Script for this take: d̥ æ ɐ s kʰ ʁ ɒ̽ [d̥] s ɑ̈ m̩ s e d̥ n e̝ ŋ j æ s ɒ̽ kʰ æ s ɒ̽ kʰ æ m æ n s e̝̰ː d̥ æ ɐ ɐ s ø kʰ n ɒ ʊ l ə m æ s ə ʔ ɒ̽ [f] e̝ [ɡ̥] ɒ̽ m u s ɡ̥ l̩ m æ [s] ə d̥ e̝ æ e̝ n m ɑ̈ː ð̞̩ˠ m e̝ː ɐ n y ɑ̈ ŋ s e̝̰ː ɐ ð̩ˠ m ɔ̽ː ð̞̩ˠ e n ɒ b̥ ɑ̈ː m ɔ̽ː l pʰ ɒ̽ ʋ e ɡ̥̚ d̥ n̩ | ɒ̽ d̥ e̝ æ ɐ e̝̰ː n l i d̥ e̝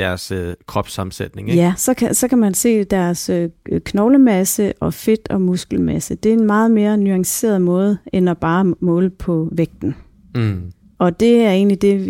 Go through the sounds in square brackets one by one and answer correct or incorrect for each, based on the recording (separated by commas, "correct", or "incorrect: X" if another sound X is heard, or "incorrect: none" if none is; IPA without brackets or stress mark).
incorrect: b̥, correct, incorrect: d̥, correct